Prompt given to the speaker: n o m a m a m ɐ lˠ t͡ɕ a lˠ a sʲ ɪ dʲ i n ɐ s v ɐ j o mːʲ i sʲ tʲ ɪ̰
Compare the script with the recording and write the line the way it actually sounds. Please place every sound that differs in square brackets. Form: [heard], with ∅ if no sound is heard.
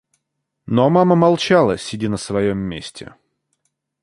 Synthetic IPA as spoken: n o m a m [ə] m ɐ lˠ t͡ɕ a lˠ [ə] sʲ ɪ dʲ i n [ə] s v ɐ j o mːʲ [e] sʲ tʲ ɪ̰